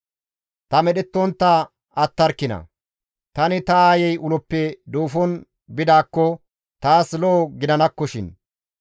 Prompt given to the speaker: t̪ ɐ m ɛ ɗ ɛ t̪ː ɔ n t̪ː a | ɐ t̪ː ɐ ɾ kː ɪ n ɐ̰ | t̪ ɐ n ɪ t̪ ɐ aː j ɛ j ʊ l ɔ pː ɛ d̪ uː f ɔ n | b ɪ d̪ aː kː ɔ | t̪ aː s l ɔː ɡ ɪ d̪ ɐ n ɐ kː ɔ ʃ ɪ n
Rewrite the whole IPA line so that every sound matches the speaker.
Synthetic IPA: t̪ ɐ m ɛ ɗ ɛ t̪ː ɔ n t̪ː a | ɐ t̪ː ɐ ɾ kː ɪ n ɐ̰ | t̪ ɐ n ɪ t̪ ɐ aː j ɛ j ʊ l ɔ pː ɛ d̪ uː f ɔ n | b ɪ d̪ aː kː ɔ | t̪ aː s l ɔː ɡ ɪ d̪ ɐ n ɐ kː ɔ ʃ ɪ n